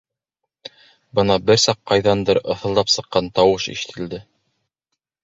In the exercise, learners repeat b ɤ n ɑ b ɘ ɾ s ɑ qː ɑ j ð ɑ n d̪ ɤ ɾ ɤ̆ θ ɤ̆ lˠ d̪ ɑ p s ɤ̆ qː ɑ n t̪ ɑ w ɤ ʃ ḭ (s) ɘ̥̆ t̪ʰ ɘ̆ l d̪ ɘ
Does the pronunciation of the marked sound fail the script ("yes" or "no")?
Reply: yes